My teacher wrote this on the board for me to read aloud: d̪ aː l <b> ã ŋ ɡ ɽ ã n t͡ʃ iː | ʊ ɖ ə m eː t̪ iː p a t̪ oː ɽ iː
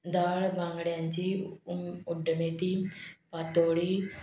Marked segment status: correct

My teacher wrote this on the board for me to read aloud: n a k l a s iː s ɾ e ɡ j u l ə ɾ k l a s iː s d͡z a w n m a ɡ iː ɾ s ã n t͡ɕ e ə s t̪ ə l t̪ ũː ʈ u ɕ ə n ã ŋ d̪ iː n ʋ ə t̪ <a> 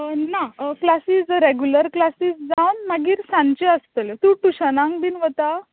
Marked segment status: correct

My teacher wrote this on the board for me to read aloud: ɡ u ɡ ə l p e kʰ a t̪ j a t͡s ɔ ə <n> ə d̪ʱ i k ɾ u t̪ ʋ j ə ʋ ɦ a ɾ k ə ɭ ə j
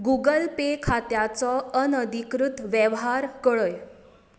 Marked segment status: correct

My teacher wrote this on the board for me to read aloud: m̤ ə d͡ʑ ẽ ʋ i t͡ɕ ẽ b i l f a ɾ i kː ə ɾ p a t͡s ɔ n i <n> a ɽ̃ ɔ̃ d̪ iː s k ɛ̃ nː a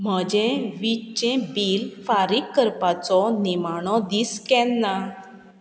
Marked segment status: incorrect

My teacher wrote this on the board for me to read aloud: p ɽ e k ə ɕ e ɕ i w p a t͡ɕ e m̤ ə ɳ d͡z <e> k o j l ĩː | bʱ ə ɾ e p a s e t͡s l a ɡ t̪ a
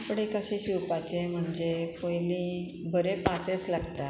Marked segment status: correct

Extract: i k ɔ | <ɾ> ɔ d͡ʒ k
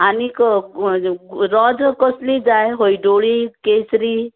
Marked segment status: correct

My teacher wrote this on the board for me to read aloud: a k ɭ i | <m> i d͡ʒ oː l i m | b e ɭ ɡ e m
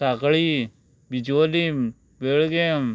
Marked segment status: incorrect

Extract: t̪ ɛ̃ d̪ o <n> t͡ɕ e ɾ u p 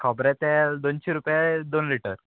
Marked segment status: correct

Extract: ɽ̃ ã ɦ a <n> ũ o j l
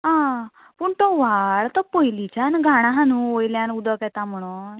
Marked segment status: correct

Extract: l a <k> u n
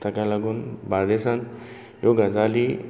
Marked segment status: incorrect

